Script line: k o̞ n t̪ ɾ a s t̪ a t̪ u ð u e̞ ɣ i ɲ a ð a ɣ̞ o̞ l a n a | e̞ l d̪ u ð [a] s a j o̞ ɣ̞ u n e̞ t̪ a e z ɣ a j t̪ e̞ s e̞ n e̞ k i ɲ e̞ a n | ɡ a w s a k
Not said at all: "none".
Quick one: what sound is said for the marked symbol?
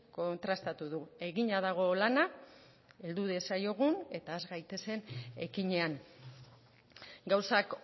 e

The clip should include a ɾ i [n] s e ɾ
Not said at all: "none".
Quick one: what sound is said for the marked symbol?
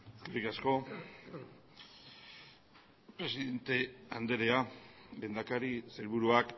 none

